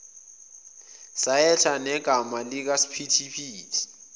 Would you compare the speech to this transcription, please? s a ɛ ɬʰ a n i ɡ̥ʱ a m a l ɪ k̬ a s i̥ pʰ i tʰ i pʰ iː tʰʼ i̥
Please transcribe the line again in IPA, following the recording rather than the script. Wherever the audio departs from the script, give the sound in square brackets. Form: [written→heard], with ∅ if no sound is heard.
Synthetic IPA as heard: s a ɛ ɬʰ a n [i→ɛ] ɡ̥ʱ a m a l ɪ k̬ a s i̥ pʰ i tʰ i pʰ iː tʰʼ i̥

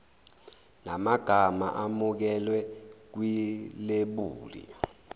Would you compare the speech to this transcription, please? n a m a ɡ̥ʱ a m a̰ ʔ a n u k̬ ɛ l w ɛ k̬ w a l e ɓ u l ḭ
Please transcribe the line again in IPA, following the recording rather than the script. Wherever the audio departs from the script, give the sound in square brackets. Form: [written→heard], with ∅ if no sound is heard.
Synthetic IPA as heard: n a m a ɡ̥ʱ a m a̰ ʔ a [n→m] u k̬ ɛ l w ɛ k̬ w [a→i] l e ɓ [u→uː] l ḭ

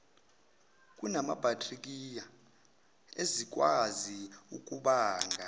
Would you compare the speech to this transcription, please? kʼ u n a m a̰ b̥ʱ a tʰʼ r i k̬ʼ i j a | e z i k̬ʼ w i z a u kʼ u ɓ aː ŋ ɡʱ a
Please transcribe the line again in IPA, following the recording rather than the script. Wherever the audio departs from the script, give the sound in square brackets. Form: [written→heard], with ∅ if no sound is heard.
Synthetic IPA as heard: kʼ u n a m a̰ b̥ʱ a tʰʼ r i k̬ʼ i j a | e z i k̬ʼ w [i→a] z [a→i] u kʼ u ɓ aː ŋ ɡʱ a

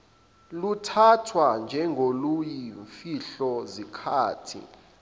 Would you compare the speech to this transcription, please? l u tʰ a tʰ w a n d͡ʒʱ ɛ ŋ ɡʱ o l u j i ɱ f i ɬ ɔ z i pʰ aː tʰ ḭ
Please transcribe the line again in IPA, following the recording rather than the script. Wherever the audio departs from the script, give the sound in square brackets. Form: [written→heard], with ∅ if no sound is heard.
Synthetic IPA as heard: l u tʰ a tʰ w a n d͡ʒʱ ɛ ŋ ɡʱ o l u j i ɱ f i ɬ ɔ z i [pʰ→kʰ] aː tʰ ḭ

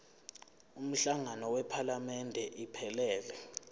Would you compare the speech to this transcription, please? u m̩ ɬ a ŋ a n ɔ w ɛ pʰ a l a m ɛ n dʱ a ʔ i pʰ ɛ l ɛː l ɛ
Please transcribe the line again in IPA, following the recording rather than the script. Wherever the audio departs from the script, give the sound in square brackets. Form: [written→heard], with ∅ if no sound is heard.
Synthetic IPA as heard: u m̩ ɬ a ŋ a n ɔ w ɛ pʰ a l a m ɛ n dʱ [a→ɛ] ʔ i pʰ ɛ l ɛː l ɛ

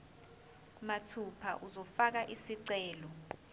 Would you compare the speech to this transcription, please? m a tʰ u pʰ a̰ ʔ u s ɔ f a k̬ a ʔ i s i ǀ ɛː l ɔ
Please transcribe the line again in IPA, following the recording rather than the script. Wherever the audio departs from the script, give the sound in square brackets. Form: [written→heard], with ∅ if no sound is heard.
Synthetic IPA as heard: m a tʰ u pʰ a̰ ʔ u [s→z] ɔ f a k̬ a ʔ i s i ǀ ɛː l ɔ

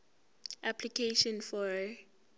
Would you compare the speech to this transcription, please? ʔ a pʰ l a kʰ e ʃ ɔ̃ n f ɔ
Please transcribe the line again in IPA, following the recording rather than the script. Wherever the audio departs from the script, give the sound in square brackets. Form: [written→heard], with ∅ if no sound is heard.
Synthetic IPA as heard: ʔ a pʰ l [a→i] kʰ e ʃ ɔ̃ n f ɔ

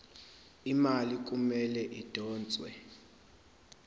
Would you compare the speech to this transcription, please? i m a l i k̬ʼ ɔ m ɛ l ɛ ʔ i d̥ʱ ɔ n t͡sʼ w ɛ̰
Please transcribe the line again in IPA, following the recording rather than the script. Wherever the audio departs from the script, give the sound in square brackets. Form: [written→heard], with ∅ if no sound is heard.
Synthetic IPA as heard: i m a l i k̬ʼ [ɔ→u] m ɛ l ɛ ʔ i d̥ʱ [ɔ→ɔː] n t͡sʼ w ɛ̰

